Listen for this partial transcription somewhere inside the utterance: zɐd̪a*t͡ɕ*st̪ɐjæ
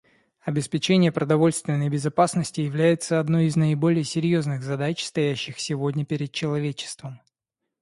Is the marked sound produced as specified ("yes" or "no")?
yes